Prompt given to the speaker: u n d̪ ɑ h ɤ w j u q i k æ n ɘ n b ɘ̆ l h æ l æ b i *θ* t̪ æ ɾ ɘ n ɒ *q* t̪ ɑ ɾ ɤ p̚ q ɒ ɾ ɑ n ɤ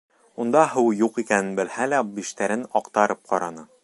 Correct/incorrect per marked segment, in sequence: incorrect: ʃ, correct

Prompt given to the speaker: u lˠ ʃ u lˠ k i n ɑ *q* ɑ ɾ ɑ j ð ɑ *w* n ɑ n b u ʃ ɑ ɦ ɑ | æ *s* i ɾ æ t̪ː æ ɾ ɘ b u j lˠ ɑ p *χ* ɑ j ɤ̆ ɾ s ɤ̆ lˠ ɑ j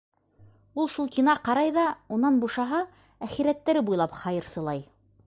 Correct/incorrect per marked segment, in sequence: correct, incorrect: u, incorrect: χ, correct

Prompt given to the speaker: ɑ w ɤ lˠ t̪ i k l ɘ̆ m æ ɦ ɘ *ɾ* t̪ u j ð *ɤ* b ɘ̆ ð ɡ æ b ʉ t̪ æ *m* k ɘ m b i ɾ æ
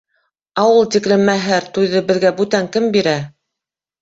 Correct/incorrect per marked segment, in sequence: correct, correct, incorrect: ŋ

